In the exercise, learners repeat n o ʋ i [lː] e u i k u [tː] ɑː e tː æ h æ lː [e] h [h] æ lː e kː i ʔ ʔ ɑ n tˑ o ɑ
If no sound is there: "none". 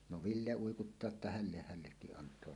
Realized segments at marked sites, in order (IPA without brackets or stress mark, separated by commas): lː, tː, e, h